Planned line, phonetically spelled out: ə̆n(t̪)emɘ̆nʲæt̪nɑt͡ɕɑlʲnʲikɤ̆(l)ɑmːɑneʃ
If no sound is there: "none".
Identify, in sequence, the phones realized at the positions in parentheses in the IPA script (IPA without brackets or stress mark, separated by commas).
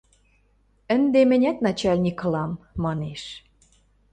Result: d̪, l